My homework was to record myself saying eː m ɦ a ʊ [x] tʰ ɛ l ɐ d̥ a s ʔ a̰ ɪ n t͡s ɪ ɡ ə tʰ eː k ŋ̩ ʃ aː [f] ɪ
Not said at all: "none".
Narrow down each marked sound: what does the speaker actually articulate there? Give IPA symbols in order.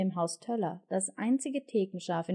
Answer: s, f

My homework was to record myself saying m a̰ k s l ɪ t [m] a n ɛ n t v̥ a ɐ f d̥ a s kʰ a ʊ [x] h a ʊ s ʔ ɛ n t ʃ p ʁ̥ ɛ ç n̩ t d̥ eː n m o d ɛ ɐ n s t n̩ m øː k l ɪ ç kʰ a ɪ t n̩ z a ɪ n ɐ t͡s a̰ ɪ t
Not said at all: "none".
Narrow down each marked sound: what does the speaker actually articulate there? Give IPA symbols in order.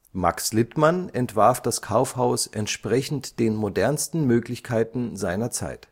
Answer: m, f

